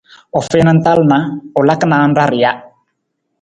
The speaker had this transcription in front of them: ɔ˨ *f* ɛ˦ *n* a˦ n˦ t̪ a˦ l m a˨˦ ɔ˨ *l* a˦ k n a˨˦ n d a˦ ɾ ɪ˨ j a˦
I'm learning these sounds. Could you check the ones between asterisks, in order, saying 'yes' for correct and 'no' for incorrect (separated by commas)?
yes, yes, yes